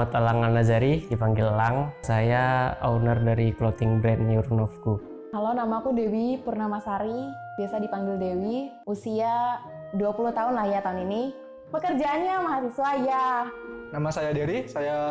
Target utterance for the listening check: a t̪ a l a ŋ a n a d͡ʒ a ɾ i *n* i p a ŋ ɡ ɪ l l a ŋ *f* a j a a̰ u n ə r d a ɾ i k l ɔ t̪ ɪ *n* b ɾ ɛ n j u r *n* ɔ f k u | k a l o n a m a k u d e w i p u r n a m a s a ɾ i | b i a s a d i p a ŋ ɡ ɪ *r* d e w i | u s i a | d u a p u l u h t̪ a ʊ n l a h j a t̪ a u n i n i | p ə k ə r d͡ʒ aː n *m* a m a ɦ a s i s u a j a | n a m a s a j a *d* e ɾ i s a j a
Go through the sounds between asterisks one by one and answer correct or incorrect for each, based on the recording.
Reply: incorrect: d, incorrect: s, incorrect: ŋ, correct, incorrect: l, incorrect: ɲ, correct

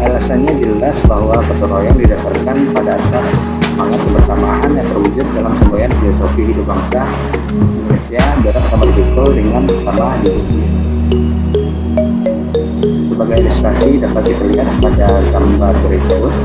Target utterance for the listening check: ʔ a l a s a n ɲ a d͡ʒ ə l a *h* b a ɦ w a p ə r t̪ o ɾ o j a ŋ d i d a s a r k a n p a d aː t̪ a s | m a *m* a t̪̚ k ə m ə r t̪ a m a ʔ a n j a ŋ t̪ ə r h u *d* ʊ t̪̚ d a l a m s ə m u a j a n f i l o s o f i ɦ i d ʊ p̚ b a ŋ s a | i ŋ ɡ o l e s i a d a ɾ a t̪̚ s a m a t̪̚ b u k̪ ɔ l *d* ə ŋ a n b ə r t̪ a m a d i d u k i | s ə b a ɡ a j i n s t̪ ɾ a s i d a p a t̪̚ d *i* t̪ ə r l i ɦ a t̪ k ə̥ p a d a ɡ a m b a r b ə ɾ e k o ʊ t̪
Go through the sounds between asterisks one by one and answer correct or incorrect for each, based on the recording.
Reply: incorrect: s, incorrect: ŋ, incorrect: d͡ʒ, correct, correct

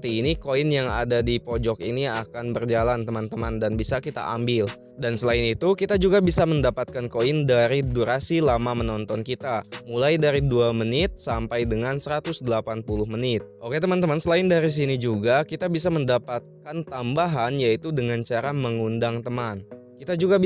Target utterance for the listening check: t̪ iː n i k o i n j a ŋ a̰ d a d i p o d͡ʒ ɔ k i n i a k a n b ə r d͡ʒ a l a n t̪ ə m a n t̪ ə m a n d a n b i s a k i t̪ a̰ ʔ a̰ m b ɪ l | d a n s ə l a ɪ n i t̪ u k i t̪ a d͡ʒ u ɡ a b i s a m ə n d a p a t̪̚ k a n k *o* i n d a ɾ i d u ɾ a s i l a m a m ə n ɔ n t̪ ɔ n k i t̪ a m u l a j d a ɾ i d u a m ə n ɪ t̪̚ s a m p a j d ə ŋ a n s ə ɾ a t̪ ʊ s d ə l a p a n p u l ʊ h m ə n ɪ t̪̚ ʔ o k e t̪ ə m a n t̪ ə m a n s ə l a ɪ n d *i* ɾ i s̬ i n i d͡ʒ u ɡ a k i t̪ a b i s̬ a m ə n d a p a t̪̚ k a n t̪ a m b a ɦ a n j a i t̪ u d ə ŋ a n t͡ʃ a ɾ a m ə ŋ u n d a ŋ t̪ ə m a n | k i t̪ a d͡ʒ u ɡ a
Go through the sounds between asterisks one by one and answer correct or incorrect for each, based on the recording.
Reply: correct, incorrect: a

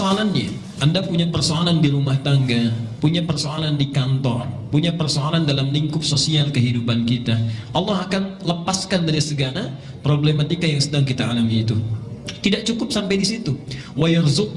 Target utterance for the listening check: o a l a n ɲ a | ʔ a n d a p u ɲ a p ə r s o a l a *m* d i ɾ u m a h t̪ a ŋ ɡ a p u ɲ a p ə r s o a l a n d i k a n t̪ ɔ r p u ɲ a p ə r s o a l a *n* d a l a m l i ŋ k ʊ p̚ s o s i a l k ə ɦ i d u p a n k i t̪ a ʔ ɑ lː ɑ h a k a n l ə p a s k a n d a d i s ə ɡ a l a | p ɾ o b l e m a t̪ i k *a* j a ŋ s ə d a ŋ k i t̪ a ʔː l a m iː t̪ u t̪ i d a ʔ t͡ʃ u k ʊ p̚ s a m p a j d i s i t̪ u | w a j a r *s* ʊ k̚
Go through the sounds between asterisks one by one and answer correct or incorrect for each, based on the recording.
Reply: incorrect: n, correct, correct, incorrect: z

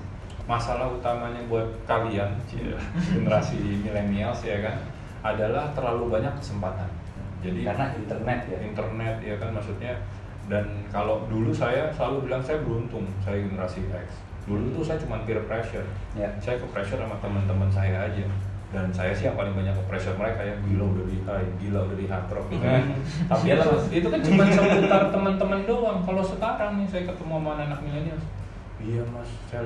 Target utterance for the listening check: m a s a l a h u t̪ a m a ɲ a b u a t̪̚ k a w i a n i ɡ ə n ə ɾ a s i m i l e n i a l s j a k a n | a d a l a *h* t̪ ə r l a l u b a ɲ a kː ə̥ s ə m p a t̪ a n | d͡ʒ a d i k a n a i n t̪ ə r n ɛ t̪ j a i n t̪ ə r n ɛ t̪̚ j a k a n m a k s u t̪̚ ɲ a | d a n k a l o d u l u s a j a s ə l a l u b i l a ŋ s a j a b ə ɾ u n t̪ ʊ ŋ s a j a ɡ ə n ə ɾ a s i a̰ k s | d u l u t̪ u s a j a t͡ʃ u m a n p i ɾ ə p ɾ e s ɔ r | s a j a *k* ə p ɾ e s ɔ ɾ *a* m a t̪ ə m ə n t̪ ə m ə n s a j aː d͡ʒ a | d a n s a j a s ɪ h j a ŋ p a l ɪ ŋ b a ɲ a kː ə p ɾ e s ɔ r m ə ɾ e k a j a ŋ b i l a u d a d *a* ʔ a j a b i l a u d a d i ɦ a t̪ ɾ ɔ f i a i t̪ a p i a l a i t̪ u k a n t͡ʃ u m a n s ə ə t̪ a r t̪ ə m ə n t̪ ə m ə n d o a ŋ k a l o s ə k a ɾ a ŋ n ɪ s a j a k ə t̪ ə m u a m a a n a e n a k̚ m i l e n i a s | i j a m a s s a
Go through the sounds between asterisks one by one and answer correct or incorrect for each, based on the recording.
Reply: correct, correct, correct, incorrect: i

